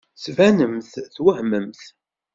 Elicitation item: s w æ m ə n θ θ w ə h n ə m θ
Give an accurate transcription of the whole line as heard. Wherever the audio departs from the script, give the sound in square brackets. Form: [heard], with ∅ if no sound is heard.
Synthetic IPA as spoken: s [v] æ [n] ə [m] θ θ w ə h [m] ə m θ